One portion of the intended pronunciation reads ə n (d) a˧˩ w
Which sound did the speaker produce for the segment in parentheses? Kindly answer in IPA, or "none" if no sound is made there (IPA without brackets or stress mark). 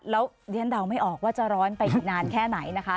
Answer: d